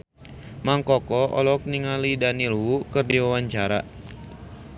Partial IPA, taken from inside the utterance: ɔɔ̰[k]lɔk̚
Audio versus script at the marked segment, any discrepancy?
yes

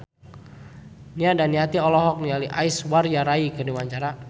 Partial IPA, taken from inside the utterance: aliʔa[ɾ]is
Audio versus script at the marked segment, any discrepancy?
yes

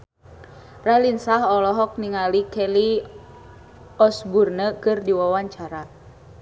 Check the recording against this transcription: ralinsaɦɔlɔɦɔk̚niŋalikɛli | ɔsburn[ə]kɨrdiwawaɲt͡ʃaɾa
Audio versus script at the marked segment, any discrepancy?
no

